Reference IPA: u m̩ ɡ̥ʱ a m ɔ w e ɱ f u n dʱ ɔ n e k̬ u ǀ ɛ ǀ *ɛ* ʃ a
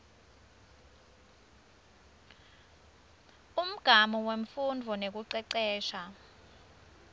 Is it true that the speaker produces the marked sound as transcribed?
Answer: no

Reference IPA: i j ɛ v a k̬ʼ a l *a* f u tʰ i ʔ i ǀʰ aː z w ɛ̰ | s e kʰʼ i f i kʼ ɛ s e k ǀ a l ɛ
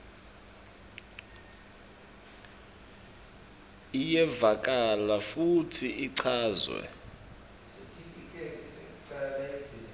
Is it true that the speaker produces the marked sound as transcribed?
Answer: yes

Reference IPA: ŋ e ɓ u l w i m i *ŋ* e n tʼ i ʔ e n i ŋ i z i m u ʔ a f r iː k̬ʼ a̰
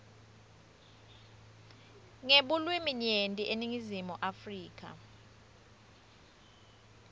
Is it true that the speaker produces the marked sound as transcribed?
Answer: no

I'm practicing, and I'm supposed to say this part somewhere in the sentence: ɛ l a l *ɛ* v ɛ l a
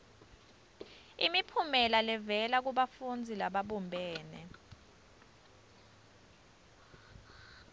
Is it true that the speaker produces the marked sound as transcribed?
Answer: yes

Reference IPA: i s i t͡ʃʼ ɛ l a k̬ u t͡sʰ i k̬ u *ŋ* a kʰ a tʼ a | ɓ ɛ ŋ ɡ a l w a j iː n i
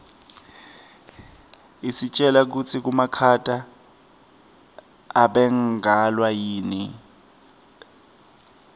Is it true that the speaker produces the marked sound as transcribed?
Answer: no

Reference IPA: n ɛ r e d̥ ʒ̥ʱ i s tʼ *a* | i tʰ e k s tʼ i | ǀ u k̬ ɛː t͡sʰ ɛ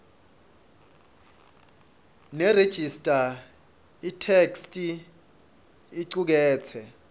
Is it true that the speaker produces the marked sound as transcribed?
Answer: yes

